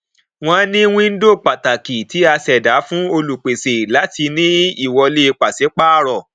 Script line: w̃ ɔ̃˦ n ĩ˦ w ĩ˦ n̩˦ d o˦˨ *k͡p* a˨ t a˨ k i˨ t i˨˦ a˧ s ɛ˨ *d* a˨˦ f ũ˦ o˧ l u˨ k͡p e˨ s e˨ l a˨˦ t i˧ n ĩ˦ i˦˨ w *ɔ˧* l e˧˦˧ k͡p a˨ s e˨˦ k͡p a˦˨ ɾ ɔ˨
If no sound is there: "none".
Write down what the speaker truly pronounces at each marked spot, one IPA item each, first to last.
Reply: k͡p, d, ɔ˧

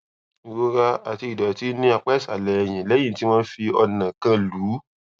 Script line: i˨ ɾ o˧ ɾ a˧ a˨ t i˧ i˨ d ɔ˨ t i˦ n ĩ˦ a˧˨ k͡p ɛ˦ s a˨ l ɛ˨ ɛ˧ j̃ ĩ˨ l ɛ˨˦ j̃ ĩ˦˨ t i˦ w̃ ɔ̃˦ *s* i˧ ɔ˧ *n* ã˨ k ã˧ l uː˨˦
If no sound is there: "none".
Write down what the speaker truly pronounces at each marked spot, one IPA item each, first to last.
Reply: f, n

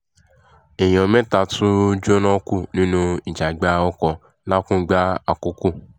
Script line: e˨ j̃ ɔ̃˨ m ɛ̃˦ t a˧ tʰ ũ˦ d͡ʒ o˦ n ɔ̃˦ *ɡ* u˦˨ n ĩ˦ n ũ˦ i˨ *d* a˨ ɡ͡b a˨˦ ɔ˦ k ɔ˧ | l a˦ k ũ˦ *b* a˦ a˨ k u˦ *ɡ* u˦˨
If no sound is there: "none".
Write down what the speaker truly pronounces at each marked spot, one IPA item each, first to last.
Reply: k, d͡ʒ, ɡ͡b, k

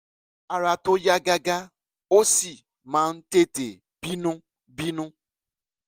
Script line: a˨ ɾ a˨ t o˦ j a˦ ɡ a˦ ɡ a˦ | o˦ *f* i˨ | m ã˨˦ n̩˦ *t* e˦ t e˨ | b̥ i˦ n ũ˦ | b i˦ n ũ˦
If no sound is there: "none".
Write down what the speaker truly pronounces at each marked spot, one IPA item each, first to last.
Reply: s, t

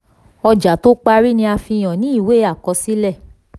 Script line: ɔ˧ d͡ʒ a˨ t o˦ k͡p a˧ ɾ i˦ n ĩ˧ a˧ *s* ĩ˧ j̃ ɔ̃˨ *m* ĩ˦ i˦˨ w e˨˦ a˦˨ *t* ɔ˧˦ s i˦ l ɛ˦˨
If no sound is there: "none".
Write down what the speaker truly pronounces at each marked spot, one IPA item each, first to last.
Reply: f, n, k

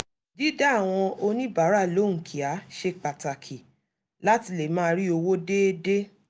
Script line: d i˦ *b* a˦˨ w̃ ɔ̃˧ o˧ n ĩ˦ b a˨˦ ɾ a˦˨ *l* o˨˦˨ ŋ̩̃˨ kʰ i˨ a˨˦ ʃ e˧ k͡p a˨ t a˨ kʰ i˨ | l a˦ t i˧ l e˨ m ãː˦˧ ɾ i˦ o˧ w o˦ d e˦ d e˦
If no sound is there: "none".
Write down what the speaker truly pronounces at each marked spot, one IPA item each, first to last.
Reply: d, l

